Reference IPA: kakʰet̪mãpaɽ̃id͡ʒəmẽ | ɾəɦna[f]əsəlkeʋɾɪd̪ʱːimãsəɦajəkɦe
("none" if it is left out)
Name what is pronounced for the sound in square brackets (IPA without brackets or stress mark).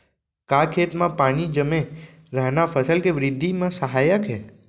f